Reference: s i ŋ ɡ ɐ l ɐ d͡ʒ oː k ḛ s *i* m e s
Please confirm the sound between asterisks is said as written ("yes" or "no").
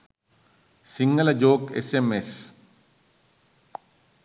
no